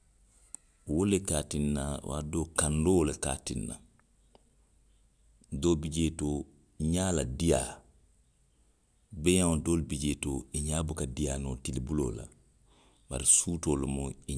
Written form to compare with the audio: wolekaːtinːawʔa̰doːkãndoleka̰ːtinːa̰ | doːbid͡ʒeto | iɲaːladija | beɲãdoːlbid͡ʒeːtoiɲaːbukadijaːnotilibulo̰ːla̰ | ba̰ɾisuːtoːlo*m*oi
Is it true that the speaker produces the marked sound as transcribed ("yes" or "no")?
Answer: yes